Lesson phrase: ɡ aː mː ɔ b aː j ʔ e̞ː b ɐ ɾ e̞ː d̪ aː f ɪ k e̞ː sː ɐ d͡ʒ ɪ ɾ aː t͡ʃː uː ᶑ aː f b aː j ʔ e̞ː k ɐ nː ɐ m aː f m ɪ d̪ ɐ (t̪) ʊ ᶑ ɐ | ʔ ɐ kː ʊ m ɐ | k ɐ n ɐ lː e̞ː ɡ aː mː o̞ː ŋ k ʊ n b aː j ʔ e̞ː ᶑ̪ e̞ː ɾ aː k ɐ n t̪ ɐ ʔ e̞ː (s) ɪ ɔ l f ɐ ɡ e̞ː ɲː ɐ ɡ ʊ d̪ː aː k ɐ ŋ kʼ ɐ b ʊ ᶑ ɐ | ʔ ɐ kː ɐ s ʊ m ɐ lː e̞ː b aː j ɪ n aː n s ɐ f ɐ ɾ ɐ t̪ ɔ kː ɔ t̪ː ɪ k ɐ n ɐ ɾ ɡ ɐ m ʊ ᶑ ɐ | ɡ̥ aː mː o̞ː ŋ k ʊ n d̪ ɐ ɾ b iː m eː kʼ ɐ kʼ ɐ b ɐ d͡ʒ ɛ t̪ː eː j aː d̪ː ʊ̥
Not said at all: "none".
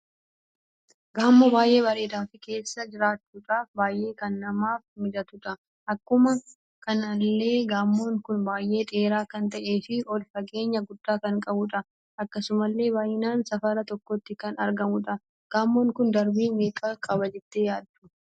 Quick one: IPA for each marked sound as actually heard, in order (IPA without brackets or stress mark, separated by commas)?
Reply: t̪, f